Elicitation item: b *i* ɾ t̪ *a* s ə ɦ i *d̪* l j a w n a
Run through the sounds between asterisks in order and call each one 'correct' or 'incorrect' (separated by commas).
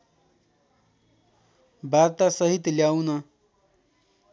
incorrect, correct, incorrect